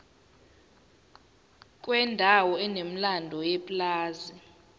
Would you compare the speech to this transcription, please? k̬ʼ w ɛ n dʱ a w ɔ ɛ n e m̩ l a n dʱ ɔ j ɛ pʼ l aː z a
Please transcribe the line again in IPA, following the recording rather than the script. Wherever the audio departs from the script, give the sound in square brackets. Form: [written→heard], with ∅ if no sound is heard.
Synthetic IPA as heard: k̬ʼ w ɛ n dʱ a w ɔ ɛ n e m̩ l a n dʱ ɔ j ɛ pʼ l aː z [a→i]

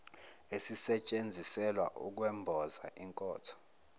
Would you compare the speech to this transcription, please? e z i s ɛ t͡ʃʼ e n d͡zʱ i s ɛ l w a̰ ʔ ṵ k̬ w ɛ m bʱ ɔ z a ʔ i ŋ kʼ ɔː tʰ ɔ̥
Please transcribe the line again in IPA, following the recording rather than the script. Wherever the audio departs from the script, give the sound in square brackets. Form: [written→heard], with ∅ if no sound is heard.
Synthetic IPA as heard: e [z→s] i s ɛ t͡ʃʼ e n d͡zʱ i s ɛ l w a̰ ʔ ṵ k̬ w ɛ m bʱ ɔ z a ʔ i ŋ kʼ ɔː tʰ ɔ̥

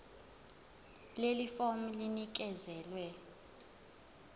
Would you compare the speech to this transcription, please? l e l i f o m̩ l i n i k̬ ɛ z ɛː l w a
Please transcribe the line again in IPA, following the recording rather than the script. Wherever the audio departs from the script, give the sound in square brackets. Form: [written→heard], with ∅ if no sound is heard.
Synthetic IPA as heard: l e l i f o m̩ l i n i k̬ ɛ z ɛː l w [a→ɛ]

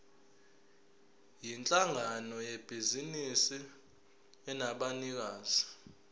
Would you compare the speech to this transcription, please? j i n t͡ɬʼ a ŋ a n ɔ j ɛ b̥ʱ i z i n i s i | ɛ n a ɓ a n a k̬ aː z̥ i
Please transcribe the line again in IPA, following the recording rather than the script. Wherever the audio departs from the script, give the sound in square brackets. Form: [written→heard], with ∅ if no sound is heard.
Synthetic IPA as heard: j i n t͡ɬʼ a ŋ a n ɔ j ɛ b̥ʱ i z i n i s i | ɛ n a ɓ a n [a→i] k̬ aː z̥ i

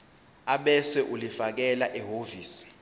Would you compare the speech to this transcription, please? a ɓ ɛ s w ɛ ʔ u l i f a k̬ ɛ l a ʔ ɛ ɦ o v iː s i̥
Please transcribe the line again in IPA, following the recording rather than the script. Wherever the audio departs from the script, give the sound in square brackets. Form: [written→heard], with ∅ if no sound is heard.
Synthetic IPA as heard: a ɓ ɛ s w ɛ ʔ u l i f a k̬ ɛ l a ʔ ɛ ɦ o v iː s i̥

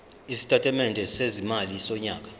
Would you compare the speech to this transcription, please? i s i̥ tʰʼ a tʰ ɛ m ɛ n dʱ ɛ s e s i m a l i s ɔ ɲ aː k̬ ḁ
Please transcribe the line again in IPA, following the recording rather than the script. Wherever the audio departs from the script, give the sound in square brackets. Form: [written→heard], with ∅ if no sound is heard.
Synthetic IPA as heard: i s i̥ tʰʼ a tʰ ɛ m ɛ n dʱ ɛ s e [s→z] i m a l i s ɔ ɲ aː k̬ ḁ

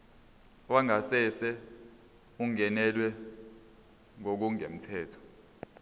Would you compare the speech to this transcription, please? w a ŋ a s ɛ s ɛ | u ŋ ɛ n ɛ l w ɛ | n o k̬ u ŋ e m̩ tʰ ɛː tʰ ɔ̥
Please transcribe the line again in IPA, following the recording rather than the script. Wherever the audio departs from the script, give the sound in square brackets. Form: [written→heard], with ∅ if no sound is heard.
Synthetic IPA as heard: w a ŋ a s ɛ s ɛ | u ŋ ɛ n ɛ l w ɛ | [n→ŋ] o k̬ u ŋ e m̩ tʰ ɛː tʰ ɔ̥

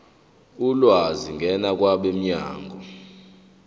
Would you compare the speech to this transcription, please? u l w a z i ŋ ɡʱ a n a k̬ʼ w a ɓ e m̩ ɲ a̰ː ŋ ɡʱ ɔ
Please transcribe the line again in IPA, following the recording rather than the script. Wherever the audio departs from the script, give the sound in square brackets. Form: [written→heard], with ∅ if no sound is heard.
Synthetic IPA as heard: u l w a z i ŋ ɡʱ [a→ɛ] n a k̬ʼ w a ɓ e m̩ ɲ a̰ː ŋ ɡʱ ɔ

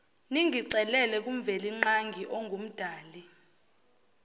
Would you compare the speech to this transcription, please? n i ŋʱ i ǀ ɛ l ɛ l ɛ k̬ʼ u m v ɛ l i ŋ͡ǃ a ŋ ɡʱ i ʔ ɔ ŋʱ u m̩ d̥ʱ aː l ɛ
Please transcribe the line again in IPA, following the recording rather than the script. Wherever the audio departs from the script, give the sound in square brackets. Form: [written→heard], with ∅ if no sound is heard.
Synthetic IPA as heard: n i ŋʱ i ǀ ɛ l ɛ l ɛ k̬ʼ u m v ɛ l i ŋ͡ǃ a ŋ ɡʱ i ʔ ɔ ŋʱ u m̩ d̥ʱ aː l [ɛ→i]

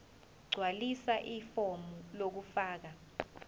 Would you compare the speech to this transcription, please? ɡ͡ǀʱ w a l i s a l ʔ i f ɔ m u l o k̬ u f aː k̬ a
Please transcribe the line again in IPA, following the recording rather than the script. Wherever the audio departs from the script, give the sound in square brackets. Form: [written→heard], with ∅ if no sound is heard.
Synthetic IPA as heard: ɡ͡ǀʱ w a l i s a [l→∅] ʔ i f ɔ m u l o k̬ u f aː k̬ a

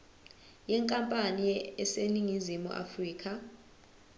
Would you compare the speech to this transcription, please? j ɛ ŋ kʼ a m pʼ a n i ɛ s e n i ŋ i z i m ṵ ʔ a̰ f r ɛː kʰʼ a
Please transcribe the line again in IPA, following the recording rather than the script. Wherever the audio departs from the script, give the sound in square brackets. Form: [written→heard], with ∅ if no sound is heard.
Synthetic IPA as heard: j ɛ ŋ kʼ a m pʼ a n i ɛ s e n i ŋ i z i m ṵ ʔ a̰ f r [ɛː→iː] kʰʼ a

